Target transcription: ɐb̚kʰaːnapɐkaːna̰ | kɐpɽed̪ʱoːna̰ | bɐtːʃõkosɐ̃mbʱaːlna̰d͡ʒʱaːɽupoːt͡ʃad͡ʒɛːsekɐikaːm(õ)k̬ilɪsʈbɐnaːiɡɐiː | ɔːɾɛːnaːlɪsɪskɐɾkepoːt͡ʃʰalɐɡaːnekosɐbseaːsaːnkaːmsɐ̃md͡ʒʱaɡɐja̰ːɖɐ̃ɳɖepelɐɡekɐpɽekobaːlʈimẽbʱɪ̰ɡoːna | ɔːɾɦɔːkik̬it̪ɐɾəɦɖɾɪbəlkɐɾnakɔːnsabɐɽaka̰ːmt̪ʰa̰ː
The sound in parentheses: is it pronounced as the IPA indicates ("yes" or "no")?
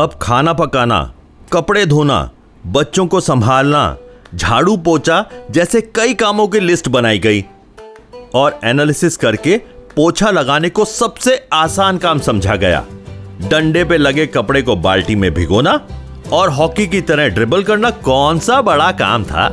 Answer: yes